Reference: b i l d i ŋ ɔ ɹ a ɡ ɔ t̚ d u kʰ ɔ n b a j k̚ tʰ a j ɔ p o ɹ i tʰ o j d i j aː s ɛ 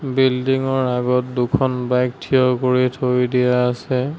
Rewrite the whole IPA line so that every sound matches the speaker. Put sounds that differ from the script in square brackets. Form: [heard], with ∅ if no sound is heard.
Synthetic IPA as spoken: b i l d i ŋ ɔ ɹ a ɡ ɔ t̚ d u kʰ ɔ n b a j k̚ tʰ [i] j ɔ [k] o ɹ i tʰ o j d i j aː s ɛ

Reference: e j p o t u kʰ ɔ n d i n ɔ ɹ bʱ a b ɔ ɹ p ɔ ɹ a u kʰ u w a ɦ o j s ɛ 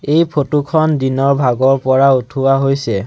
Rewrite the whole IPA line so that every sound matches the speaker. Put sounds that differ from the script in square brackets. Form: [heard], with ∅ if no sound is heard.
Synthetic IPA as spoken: e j [pʰ] o t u kʰ ɔ n d i n ɔ ɹ bʱ a [ɡ] ɔ ɹ p ɔ ɹ a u [tʰ] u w a ɦ o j s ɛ

